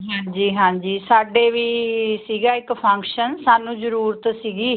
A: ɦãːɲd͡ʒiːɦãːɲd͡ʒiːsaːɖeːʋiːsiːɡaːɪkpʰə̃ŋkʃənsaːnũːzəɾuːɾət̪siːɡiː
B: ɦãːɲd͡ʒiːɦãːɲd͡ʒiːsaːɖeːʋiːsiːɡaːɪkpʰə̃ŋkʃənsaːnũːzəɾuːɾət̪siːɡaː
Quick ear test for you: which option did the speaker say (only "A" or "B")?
A